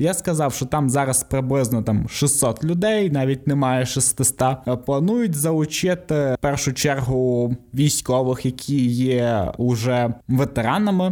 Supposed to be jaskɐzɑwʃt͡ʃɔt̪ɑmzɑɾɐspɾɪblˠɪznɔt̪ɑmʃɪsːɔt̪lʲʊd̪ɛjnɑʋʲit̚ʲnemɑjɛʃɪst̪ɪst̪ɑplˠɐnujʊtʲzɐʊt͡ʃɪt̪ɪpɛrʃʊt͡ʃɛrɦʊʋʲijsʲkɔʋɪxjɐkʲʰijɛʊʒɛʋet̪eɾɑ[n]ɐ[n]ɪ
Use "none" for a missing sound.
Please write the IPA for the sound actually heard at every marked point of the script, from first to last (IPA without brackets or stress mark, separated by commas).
n, m